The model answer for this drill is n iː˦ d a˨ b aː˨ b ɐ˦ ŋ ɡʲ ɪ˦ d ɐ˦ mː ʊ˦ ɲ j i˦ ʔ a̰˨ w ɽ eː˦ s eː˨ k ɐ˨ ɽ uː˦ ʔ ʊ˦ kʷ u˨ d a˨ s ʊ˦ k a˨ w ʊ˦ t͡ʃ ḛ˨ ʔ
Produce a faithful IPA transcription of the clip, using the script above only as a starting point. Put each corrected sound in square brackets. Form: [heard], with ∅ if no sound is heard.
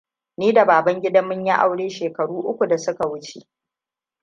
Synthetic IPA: n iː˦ d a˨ b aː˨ b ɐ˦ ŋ ɡʲ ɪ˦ d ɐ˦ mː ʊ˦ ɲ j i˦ ʔ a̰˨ w ɽ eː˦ [ʃ] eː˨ k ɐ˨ ɽ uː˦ ʔ ʊ˦ kʷ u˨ d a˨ s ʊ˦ k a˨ w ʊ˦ t͡ʃ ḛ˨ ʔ